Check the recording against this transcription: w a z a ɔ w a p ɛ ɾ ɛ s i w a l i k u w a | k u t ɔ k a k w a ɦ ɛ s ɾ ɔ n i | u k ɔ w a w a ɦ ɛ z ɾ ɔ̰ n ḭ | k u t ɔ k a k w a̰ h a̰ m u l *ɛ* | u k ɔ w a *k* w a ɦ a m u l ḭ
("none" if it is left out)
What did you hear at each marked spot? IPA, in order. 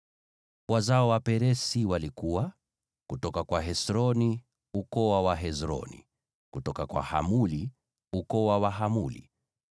i, none

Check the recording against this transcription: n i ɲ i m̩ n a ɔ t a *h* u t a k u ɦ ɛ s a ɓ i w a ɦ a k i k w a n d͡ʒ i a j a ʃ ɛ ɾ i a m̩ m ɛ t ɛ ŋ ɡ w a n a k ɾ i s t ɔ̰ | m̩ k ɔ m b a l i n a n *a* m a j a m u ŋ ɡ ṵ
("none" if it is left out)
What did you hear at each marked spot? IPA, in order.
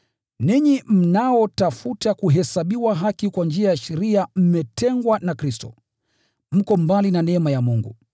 f, ɛ

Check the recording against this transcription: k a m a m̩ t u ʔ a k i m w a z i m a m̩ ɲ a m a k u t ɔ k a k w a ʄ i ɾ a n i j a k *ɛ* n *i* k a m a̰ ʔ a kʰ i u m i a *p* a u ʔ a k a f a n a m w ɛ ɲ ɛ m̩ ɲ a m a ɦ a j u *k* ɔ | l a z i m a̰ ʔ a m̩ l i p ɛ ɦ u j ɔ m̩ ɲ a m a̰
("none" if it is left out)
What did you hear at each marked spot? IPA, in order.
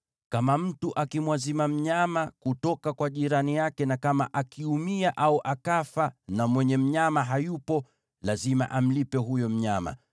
ɛ, a, ʔ, p

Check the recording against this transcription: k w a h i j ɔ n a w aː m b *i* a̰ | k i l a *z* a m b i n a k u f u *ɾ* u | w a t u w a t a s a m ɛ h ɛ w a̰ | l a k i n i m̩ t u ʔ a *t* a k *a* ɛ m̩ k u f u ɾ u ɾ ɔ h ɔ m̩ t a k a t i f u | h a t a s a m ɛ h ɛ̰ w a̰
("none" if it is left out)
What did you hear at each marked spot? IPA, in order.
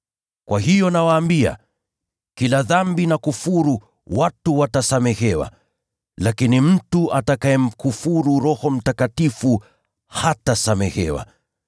i, ð, ɾ, t, a

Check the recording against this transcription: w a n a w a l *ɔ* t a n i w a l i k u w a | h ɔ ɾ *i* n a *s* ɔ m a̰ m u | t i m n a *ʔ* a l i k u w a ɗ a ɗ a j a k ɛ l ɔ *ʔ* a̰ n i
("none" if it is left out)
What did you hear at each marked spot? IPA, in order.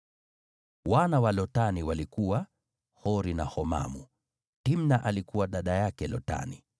ɔ, i, h, ʔ, t

